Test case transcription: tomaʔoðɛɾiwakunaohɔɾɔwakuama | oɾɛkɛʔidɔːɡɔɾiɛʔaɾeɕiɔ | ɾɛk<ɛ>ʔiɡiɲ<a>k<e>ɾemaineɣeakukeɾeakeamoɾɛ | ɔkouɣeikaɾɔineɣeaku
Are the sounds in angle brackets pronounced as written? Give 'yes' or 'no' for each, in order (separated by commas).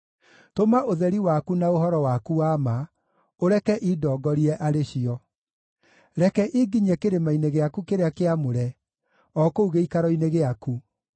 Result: yes, no, yes